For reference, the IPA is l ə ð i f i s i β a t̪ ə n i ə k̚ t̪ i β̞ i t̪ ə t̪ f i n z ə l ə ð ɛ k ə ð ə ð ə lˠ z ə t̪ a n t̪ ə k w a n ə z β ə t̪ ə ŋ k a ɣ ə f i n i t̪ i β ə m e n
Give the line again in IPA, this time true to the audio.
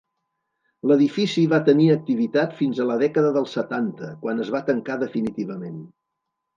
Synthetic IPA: l ə ð i f i s i β a t̪ ə n i ə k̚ t̪ i β̞ i t̪ a t̪ f i n z ə l ə ð ɛ k ə ð ə ð ə lˠ s ə t̪ a n t̪ ə k w a n ə z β a t̪ ə ŋ k a ð ə f i n i t̪ i β ə m e n